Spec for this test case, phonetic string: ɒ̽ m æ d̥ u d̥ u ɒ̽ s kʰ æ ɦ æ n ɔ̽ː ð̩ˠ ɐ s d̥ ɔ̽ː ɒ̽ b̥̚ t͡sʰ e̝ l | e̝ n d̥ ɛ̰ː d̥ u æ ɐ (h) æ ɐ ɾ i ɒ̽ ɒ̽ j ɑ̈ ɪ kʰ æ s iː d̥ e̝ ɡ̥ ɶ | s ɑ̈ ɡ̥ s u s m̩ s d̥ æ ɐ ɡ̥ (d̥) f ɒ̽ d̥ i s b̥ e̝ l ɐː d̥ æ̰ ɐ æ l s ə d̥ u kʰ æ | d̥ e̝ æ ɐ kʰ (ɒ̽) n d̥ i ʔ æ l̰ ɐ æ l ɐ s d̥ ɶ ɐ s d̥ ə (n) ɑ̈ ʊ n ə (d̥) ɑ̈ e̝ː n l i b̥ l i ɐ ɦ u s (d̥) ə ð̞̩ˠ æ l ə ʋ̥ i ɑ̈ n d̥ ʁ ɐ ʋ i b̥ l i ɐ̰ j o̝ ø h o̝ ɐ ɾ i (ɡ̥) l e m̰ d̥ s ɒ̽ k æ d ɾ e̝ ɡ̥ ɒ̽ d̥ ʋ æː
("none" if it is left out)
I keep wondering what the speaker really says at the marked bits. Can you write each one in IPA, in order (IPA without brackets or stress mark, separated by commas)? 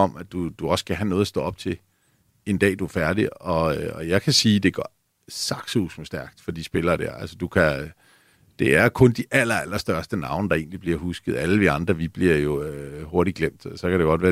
f, d̥, ɔ̽, n, d̥, ɡ̥, ɡ̥